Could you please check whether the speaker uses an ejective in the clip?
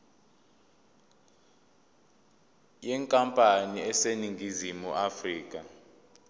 yes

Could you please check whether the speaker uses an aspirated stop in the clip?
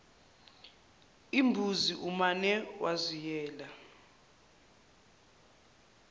no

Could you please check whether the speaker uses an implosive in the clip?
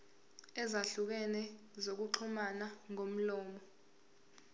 no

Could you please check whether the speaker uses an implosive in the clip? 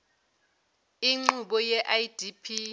yes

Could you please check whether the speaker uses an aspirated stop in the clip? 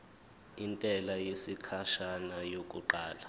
yes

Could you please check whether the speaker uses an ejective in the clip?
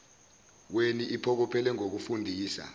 no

